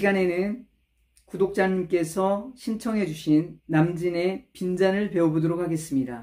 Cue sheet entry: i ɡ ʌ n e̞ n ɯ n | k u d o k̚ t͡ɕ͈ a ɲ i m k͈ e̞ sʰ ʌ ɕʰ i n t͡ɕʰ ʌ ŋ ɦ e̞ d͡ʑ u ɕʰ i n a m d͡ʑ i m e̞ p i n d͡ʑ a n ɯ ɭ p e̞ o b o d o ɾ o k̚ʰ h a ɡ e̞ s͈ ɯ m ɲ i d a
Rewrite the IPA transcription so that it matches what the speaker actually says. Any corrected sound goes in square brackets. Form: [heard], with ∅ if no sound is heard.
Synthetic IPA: i ɡ [a] n e̞ n ɯ n | k u d o k̚ t͡ɕ͈ a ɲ i m k͈ e̞ sʰ ʌ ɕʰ i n t͡ɕʰ ʌ ŋ ɦ e̞ d͡ʑ u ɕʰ i [nː] a m d͡ʑ i [n] e̞ p i n d͡ʑ a n ɯ ɭ p e̞ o b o d o ɾ o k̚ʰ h a ɡ e̞ s͈ ɯ m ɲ i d a

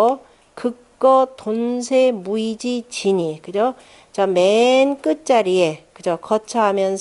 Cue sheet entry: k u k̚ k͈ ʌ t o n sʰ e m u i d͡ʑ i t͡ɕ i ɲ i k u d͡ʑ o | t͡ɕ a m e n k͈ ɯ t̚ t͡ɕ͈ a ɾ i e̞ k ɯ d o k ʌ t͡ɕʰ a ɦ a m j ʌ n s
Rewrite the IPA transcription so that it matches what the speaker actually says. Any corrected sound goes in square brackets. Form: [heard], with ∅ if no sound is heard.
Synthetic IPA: k [ɯ] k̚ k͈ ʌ t o n sʰ e m u i d͡ʑ i t͡ɕ i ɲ i k [ɯ] d͡ʑ o | t͡ɕ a m e n k͈ ɯ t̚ t͡ɕ͈ a ɾ i e̞ k ɯ [d͡ʑ] o k ʌ t͡ɕʰ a ɦ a m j ʌ n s

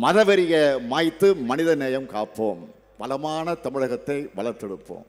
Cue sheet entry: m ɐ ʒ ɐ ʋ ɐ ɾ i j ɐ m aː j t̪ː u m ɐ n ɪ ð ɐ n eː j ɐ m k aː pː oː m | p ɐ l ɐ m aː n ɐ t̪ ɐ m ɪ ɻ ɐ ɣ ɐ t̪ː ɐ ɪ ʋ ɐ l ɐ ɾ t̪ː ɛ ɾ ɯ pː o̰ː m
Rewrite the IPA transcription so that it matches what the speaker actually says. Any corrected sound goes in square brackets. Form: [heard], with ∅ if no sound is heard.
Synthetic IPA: m ɐ [ð] ɐ ʋ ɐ ɾ [ɪ] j ɐ m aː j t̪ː [ɯ] m ɐ n ɪ ð ɐ n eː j ɐ m k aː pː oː m | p ɐ l ɐ m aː n ɐ t̪ ɐ m ɪ ɻ ɐ ɣ ɐ t̪ː ɐ ɪ ʋ ɐ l ɐ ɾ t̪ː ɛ [ɽ] ɯ pː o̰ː m

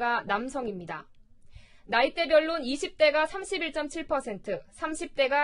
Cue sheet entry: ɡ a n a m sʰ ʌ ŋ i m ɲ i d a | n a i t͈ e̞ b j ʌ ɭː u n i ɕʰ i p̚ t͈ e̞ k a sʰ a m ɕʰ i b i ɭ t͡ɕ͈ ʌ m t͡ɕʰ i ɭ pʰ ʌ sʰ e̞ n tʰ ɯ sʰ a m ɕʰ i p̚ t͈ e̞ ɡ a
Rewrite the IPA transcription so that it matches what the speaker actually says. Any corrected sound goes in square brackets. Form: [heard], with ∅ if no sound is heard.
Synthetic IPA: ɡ a n a m sʰ ʌ ŋ i m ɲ i d a | n a i t͈ e̞ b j ʌ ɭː u n i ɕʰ i p̚ t͈ e̞ [ɡ] a sʰ a m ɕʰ i b i ɭ t͡ɕ͈ ʌ m t͡ɕʰ i ɭ pʰ ʌ sʰ e̞ n tʰ ɯ sʰ a m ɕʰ i p̚ t͈ e̞ ɡ a

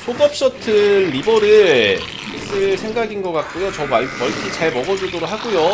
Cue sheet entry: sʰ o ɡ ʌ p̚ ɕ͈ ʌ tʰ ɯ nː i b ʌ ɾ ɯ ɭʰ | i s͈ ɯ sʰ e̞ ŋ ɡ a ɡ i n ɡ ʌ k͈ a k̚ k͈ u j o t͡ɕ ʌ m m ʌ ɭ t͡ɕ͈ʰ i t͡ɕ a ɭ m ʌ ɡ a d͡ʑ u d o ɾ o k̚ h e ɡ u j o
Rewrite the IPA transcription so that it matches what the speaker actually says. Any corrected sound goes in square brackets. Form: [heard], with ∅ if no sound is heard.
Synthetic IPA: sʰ o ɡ ʌ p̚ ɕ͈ ʌ tʰ ɯ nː i b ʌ ɾ ɯ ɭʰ | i s͈ ɯ sʰ e̞ ŋ ɡ a ɡ i n ɡ ʌ k͈ a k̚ k͈ u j o t͡ɕ ʌ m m ʌ ɭ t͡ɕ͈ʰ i t͡ɕ a ɭ m ʌ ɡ [ʌ] d͡ʑ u d o ɾ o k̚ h [a] ɡ u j o

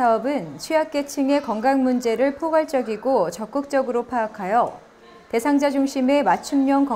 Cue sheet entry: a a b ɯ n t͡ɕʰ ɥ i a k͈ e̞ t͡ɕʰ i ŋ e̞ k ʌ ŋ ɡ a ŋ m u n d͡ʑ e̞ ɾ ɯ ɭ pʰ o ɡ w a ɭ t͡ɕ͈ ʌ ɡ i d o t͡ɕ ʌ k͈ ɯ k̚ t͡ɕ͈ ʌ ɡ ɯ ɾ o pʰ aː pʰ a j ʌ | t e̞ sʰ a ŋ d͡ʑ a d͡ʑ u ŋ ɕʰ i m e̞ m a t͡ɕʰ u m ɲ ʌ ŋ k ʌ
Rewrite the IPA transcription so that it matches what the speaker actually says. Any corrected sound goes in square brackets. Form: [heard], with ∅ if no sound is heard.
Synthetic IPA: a [ʌ] b ɯ n t͡ɕʰ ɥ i a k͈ e̞ t͡ɕʰ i ŋ e̞ k ʌ ŋ ɡ a ŋ m u n d͡ʑ e̞ ɾ ɯ ɭ pʰ o ɡ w a ɭ t͡ɕ͈ ʌ ɡ i [ɡ] o t͡ɕ ʌ k͈ ɯ k̚ t͡ɕ͈ ʌ ɡ ɯ ɾ o pʰ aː [kʰ] a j ʌ | t e̞ sʰ a ŋ d͡ʑ a d͡ʑ u ŋ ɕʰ i m e̞ m a t͡ɕʰ u m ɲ ʌ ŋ k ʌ

